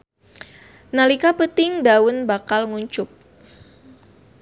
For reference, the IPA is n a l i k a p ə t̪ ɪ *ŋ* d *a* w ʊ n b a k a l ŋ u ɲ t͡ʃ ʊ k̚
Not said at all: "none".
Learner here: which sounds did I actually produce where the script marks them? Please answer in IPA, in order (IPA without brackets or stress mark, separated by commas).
ŋ, a